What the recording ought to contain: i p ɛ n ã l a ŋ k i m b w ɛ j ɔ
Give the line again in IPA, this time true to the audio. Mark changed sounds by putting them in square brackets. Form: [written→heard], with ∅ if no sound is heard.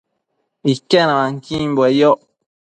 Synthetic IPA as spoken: i [p→k] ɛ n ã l a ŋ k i m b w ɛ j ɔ

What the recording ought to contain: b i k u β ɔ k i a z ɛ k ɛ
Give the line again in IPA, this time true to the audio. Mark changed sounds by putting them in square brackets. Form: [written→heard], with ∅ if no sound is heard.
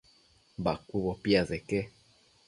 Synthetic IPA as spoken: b [i→a] k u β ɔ [k→p] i a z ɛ k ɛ

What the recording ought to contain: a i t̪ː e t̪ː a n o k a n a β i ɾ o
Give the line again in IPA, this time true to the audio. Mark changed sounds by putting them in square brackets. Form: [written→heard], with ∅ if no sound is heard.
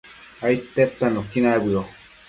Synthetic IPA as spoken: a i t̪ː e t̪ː a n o k [a→i] n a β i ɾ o

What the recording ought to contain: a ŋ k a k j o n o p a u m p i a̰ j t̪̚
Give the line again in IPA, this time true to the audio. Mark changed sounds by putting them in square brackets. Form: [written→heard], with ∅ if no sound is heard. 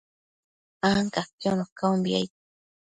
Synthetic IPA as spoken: a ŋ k a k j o n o [p→k] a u m [p→b] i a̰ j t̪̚

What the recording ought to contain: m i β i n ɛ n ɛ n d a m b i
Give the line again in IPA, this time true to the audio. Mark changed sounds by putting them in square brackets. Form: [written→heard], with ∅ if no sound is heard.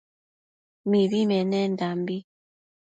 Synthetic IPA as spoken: m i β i [n→m] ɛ n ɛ n d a m b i

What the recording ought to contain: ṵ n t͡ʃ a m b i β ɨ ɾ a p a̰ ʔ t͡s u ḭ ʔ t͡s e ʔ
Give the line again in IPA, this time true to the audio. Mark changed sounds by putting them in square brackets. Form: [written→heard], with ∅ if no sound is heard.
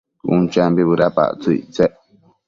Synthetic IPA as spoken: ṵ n t͡ʃ a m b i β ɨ ɾ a p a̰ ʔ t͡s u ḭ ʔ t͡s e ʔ

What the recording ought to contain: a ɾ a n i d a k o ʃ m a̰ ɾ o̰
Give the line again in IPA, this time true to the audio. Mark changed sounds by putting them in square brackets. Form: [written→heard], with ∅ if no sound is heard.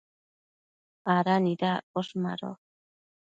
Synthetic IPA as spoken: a ɾ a n i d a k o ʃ m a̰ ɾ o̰

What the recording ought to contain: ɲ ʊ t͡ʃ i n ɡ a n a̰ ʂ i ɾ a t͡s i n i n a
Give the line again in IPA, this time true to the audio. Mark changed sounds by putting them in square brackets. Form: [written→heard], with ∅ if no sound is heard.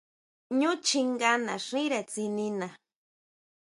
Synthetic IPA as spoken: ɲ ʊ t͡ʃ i [n→ŋ] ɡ a n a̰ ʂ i ɾ a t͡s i n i n a

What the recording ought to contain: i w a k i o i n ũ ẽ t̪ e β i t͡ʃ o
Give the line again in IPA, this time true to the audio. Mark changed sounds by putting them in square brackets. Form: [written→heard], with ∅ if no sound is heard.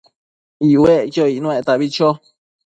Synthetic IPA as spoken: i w [a→e] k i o i n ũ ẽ t̪ [e→a] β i t͡ʃ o

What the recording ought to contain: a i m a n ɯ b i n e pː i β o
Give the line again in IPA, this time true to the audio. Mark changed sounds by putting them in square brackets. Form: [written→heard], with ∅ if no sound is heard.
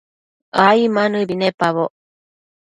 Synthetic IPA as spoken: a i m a n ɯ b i n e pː [i→a] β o

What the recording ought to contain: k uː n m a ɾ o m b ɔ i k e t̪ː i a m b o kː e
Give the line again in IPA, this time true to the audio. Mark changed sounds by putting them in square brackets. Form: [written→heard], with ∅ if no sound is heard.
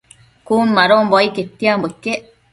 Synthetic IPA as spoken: k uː n m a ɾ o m b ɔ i k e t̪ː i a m b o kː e

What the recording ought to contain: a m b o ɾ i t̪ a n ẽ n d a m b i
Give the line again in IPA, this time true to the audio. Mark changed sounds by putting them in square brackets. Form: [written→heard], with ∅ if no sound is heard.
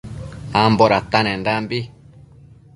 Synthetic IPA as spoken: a m b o ɾ [i→a] t̪ a n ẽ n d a m b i

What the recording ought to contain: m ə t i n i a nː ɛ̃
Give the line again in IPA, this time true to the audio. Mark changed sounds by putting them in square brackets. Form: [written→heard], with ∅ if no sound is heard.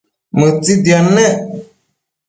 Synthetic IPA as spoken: m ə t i [n→d] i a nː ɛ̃

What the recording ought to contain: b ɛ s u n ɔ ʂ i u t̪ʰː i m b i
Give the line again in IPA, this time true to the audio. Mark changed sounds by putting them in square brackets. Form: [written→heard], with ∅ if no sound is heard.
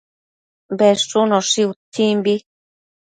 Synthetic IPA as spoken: b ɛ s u n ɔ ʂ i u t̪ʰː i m b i

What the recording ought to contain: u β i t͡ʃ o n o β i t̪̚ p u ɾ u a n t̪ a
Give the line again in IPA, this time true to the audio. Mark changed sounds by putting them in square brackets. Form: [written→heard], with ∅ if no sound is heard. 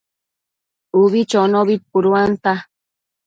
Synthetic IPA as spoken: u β i t͡ʃ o n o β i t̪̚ p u ɾ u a n t̪ a

